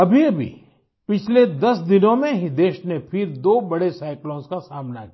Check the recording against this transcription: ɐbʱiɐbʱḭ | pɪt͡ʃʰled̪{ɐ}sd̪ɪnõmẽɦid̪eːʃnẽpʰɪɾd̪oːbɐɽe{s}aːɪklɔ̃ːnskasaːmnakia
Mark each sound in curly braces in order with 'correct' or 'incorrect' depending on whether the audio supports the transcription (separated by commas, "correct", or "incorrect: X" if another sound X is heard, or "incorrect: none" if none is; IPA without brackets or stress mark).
correct, correct